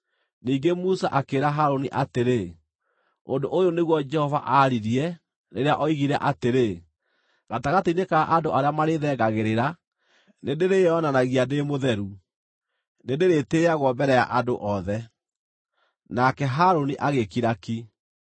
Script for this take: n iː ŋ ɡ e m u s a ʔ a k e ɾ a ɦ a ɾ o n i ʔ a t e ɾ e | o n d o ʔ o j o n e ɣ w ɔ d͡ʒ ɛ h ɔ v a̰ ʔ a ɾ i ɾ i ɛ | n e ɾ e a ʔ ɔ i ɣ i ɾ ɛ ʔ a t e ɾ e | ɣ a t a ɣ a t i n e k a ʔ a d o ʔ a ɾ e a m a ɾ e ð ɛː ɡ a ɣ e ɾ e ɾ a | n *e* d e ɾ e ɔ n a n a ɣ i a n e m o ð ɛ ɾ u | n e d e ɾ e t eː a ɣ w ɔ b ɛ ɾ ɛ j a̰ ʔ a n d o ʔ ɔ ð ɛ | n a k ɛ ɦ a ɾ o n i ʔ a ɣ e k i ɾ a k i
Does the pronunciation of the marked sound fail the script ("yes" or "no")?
no